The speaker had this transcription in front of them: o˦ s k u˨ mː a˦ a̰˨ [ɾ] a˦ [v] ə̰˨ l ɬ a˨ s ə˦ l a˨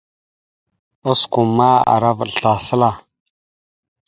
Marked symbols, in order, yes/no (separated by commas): yes, yes